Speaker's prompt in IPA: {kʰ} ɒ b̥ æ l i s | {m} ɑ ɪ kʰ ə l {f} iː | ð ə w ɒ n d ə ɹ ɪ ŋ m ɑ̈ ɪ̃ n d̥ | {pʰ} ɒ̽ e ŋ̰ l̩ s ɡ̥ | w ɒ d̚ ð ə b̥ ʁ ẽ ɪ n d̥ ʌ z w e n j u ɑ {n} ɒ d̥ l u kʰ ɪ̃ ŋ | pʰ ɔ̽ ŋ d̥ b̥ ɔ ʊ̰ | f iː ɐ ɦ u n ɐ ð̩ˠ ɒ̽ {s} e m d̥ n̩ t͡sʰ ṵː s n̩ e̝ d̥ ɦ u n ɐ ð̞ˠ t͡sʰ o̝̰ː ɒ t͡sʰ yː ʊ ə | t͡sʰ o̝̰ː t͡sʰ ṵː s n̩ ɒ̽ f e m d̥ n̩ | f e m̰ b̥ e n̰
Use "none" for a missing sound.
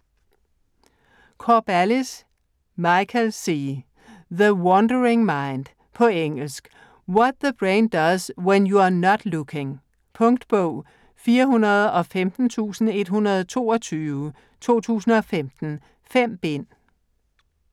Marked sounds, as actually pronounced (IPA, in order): kʰ, m, s, pʰ, n, f

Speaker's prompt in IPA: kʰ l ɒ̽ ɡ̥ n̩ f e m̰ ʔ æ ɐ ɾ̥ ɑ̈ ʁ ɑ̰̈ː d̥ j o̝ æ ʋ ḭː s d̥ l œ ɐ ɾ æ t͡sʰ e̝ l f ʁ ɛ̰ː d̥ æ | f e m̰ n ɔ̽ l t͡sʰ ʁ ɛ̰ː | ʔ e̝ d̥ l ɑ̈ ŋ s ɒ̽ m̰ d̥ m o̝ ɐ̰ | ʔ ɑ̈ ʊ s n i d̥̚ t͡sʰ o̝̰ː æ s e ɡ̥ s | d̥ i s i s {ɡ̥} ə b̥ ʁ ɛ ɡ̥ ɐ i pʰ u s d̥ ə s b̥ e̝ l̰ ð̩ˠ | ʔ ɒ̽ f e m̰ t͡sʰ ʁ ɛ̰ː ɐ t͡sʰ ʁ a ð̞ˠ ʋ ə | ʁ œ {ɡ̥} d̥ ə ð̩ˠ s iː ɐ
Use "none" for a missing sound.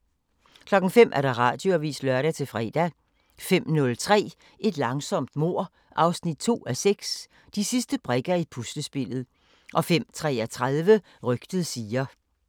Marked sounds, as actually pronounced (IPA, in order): d̥, ɡ̥

